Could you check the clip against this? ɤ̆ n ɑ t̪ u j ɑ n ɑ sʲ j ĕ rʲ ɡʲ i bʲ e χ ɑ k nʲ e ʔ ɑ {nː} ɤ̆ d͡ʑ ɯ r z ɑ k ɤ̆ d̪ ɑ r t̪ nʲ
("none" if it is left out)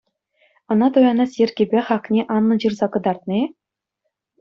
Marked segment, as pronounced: nː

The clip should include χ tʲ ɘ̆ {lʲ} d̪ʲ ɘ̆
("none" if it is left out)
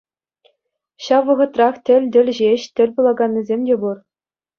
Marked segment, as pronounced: lʲ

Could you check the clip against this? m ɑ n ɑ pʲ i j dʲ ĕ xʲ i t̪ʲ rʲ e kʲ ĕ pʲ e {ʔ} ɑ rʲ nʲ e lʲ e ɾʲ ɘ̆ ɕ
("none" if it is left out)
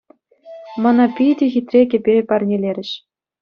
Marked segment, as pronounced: p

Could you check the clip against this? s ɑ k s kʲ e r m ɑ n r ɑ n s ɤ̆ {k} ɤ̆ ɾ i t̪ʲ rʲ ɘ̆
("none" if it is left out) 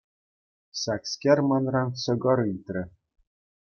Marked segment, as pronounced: ɡ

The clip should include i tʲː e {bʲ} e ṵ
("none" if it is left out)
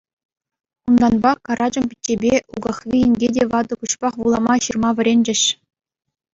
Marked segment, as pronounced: bʲ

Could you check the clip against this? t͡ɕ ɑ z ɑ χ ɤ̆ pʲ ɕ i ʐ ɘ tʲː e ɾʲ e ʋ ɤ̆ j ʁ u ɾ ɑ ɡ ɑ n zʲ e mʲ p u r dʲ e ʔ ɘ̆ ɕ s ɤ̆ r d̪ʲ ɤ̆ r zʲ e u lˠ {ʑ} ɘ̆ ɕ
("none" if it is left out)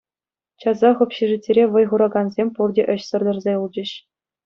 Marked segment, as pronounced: d͡ʑ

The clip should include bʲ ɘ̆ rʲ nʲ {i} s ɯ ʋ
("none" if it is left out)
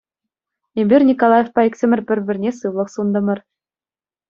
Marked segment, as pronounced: e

